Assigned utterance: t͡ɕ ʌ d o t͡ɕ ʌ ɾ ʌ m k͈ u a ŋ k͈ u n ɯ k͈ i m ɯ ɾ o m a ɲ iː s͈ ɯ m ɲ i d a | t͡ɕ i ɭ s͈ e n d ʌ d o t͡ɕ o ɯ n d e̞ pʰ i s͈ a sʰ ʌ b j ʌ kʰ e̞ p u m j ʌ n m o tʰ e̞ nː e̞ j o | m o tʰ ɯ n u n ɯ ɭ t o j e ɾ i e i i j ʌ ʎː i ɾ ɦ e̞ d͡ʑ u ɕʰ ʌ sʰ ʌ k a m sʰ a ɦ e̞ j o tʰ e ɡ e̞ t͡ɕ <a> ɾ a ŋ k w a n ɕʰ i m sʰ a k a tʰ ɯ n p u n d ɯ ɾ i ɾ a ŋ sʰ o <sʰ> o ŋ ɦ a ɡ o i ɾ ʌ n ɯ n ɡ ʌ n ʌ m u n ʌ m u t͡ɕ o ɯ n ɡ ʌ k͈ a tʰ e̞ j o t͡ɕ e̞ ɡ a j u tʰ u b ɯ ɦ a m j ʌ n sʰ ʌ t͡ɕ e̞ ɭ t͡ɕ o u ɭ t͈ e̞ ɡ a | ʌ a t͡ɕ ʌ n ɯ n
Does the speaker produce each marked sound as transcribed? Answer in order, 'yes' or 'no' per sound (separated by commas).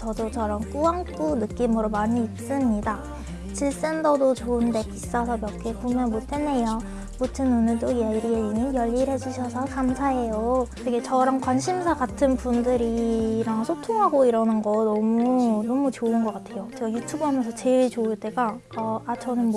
no, no